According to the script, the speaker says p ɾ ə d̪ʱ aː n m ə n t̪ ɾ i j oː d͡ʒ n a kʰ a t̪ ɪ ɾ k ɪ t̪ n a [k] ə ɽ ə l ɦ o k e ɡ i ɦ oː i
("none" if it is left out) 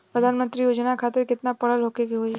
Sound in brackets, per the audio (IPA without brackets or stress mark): p